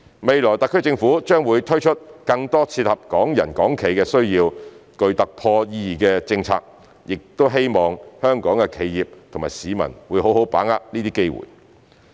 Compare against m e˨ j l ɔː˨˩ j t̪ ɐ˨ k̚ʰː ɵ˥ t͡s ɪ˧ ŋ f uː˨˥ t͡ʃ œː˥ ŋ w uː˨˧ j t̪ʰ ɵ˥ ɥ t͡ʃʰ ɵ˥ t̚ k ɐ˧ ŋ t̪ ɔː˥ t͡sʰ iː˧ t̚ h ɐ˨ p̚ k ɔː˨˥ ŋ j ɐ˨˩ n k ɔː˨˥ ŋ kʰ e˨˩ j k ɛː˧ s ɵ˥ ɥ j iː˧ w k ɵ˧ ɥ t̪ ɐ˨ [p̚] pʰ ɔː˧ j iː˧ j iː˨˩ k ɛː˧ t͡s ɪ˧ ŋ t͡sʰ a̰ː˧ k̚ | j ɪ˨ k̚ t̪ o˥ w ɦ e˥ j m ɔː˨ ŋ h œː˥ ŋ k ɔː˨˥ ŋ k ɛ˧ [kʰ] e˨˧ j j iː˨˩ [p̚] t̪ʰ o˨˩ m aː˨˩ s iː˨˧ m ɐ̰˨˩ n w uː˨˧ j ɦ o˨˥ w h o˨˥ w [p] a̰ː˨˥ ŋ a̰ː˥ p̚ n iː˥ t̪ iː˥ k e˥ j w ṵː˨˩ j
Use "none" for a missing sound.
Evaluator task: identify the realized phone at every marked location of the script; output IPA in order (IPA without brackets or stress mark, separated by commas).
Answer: k̚, kʰ, p̚, p